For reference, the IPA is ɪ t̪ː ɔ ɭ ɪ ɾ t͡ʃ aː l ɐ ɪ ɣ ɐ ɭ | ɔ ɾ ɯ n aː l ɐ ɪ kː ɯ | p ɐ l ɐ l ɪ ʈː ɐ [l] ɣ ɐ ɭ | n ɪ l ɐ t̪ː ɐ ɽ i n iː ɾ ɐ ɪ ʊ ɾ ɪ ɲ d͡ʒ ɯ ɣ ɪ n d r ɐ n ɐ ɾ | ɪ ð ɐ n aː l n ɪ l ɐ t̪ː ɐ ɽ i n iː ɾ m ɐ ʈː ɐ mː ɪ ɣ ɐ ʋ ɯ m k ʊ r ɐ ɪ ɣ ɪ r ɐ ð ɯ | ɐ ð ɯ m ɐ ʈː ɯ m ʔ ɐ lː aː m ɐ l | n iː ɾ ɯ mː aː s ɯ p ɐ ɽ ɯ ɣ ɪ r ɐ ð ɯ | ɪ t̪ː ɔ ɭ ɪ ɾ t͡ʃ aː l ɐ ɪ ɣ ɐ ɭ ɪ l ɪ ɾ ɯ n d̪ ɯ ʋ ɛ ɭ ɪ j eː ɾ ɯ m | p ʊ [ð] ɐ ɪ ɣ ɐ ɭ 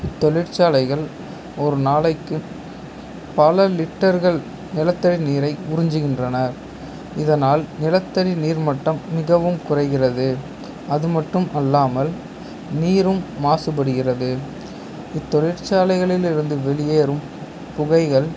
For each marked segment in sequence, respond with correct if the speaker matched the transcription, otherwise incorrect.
incorrect, incorrect

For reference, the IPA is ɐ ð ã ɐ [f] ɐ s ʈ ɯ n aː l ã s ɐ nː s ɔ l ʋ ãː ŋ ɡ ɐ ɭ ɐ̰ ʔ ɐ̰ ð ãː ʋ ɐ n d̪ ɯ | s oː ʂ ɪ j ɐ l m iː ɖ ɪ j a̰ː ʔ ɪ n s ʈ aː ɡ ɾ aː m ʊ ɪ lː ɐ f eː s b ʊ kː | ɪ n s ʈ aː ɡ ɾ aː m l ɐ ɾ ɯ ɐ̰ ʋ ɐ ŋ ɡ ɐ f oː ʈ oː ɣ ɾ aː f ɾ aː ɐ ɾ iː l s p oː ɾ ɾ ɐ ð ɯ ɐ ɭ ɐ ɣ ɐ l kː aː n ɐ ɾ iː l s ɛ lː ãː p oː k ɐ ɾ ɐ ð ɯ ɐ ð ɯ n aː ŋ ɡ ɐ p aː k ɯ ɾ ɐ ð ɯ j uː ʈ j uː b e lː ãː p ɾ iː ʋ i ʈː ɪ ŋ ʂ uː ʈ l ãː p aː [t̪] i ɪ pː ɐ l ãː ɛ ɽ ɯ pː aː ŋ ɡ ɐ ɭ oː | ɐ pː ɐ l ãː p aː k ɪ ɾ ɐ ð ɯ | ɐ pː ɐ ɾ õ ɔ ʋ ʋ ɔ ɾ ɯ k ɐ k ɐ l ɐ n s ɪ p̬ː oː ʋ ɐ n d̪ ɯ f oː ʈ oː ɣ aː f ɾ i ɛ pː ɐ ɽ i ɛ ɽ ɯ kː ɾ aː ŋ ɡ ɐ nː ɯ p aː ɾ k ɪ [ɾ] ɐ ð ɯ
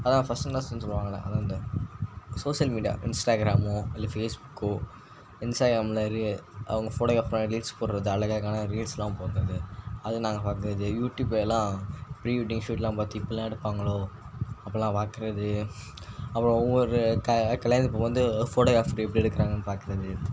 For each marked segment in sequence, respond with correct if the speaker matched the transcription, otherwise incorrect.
correct, correct, correct

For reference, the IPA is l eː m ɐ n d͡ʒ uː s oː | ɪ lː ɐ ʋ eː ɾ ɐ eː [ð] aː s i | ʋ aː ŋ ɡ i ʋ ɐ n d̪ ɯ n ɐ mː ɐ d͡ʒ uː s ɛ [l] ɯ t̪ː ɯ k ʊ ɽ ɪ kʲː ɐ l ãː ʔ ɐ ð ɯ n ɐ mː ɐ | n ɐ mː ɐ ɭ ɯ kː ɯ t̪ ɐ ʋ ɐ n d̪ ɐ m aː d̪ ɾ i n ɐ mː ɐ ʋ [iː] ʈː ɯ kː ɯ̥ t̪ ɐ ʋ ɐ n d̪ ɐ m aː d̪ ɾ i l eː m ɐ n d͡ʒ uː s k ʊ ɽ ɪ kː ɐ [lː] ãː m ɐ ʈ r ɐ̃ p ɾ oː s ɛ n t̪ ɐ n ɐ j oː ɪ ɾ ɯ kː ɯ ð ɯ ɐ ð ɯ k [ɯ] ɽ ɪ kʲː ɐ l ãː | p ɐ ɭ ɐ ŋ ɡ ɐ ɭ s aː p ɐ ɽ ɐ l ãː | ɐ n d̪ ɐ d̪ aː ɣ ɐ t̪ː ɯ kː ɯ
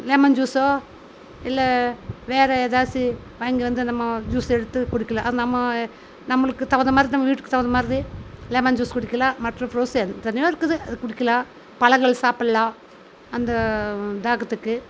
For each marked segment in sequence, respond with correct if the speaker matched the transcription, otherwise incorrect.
correct, incorrect, correct, incorrect, incorrect

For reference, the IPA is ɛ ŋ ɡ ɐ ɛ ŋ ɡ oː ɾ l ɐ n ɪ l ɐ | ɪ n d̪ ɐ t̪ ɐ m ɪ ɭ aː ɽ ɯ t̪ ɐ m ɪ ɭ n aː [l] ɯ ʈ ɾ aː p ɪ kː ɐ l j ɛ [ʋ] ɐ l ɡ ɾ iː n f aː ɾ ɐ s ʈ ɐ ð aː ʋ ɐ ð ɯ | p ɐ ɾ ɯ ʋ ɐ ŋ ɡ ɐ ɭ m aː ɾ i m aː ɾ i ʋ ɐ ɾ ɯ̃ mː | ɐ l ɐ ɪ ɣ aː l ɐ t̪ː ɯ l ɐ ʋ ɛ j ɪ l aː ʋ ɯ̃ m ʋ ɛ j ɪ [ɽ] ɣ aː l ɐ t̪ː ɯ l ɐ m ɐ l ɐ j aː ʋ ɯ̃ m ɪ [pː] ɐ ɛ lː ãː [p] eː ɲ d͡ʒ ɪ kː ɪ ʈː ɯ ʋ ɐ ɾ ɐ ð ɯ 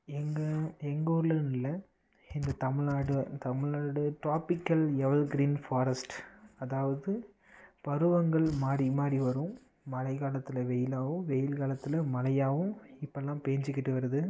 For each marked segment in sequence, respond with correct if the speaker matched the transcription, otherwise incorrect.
incorrect, correct, incorrect, correct, correct

